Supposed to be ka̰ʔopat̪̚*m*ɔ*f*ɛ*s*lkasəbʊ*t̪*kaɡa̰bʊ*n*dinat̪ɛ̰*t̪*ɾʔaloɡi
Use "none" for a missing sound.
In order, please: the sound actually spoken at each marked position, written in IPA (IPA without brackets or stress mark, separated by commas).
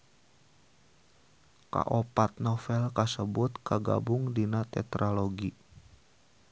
n, f, none, t̪, ŋ, t̪